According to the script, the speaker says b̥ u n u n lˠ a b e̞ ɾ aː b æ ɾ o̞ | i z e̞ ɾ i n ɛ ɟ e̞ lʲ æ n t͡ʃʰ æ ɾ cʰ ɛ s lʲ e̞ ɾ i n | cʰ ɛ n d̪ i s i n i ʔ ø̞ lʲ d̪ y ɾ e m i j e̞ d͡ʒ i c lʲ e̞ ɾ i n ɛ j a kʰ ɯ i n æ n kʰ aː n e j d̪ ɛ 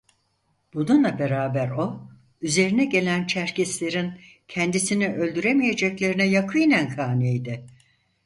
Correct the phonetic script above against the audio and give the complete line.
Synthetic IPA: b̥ u n u n lˠ a b e̞ ɾ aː b æ ɾ o̞ | y z e̞ ɾ i n ɛ ɟ e̞ lʲ æ n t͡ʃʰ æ ɾ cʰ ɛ s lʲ e̞ ɾ i n | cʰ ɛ n d̪ i s i n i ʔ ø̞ lʲ d̪ y ɾ e m i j e̞ d͡ʒ ɛ c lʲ e̞ ɾ i n ɛ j a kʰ ɯ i n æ n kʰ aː n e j d̪ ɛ